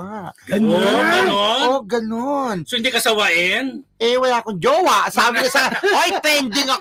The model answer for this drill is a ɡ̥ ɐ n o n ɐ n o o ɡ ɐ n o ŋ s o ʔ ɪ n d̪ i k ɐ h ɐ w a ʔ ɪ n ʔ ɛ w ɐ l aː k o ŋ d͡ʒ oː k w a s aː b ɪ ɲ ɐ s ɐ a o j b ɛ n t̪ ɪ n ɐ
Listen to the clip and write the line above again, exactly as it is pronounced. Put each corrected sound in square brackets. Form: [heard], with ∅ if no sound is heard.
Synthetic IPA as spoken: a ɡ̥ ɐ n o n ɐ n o o ɡ ɐ n o [n] s o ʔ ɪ n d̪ i k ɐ [s] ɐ w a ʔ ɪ n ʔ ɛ w ɐ l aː k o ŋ d͡ʒ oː [∅] w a s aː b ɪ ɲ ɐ s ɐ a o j [p] ɛ n [d̪] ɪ [ŋ] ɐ